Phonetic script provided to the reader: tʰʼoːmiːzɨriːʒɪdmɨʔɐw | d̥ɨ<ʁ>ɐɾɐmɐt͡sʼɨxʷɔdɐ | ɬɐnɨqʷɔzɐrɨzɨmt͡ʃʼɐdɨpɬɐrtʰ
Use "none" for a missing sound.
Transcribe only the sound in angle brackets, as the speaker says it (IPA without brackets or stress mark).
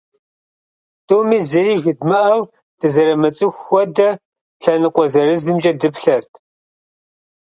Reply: z